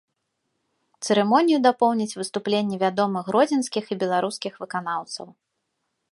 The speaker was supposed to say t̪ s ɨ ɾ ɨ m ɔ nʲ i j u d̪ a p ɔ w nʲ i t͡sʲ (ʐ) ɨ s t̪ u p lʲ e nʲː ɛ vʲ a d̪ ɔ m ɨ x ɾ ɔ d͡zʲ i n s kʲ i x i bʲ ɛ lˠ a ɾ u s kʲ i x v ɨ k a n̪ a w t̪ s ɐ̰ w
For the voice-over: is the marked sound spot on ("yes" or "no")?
no